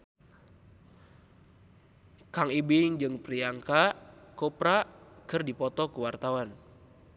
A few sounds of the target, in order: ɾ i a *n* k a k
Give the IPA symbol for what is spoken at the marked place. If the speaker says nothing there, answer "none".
ŋ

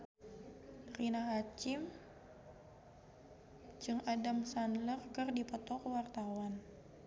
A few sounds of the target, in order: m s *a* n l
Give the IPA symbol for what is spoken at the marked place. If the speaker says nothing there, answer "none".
a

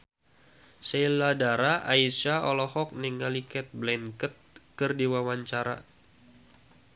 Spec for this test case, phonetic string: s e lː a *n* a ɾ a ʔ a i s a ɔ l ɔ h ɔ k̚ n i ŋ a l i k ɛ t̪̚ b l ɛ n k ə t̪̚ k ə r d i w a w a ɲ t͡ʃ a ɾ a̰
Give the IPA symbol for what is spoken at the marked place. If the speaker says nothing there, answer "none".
d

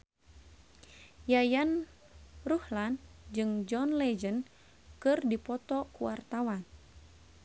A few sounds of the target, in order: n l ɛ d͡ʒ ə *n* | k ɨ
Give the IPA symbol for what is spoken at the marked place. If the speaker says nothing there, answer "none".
n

